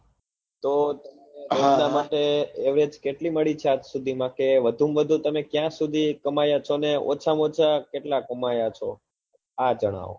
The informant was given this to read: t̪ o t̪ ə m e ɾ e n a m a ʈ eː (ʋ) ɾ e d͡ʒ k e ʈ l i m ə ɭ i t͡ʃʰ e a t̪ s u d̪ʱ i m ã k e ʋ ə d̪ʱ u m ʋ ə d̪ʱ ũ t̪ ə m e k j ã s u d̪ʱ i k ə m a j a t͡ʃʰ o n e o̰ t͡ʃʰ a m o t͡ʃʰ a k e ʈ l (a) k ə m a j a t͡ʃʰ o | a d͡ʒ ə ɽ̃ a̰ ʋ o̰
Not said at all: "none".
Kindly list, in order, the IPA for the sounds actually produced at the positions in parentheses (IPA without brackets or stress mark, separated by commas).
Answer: ʋ, a